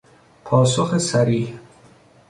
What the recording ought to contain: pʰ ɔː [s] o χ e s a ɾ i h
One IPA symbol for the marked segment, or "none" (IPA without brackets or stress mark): s